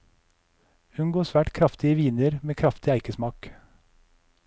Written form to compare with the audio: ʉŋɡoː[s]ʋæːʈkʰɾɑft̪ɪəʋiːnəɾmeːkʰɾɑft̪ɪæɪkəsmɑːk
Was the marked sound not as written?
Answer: no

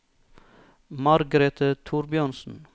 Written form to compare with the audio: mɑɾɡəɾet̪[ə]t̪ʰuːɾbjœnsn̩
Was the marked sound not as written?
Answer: no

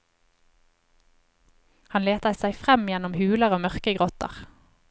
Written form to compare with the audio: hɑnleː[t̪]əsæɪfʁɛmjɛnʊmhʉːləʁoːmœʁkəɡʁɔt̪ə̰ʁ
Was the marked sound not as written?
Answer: no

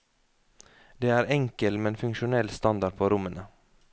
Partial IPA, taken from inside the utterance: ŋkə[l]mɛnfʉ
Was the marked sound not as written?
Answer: no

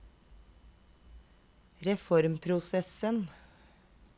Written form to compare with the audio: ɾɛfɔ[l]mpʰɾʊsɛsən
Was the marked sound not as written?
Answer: yes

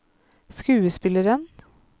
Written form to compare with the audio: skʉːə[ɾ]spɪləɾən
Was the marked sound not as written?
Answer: yes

